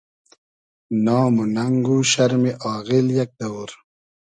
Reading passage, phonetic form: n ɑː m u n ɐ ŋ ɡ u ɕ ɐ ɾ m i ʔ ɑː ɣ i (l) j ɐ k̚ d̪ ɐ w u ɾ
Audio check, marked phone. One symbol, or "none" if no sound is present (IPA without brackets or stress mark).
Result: l